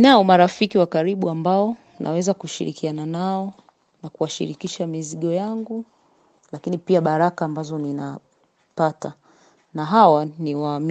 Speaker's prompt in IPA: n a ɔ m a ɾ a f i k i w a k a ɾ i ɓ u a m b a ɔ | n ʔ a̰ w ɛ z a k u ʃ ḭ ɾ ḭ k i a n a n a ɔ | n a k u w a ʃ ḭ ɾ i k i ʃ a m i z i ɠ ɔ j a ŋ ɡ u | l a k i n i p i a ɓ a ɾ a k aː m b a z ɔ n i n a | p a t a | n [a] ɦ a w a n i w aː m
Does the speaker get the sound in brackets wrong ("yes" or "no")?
no